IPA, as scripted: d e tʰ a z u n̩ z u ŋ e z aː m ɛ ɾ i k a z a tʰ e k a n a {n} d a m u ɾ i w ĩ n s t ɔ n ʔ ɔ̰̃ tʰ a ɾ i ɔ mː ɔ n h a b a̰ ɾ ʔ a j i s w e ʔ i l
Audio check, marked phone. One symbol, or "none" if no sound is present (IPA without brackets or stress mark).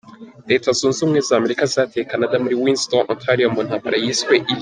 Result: none